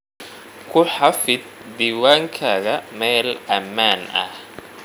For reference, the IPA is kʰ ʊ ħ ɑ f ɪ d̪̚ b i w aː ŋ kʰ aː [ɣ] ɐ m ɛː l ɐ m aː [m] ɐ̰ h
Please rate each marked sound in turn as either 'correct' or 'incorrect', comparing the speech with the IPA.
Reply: correct, incorrect

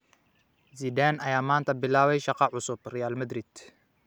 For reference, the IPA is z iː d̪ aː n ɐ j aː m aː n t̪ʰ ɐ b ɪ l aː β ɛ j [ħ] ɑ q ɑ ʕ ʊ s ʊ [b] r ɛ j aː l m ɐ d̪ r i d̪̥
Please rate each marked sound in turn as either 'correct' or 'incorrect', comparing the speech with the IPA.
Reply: incorrect, correct

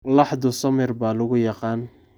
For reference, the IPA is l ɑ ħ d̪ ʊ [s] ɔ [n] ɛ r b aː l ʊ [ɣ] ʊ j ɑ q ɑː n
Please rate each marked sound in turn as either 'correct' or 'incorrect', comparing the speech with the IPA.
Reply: correct, incorrect, correct

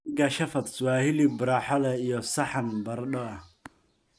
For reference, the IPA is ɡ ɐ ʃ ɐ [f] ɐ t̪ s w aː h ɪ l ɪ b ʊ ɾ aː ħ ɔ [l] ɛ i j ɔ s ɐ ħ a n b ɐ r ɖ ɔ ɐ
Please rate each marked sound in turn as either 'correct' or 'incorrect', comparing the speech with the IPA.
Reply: correct, correct

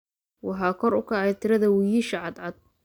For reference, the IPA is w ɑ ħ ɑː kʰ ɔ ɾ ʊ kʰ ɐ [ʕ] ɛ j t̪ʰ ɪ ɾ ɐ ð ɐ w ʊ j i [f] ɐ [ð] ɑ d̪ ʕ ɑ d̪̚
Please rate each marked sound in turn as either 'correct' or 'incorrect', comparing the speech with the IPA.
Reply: correct, incorrect, incorrect

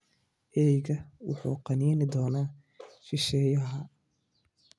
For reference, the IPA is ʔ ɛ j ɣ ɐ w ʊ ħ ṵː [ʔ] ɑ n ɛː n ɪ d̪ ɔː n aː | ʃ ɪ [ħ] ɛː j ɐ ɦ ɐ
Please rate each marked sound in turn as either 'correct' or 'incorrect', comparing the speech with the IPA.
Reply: incorrect, incorrect

